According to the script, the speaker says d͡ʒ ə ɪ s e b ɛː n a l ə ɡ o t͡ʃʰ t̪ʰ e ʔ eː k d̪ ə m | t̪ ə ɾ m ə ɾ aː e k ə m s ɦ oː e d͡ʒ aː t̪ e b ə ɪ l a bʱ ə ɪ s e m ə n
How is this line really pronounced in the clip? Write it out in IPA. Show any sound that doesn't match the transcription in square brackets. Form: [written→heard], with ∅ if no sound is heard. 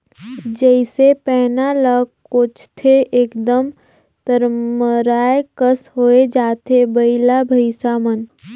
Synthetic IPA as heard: d͡ʒ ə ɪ s e [b→p] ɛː n a l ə [ɡ→k] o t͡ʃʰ t̪ʰ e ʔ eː k d̪ ə m | t̪ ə ɾ m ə ɾ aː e k ə [m→∅] s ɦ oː e d͡ʒ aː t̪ e b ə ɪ l a bʱ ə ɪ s [e→a] m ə n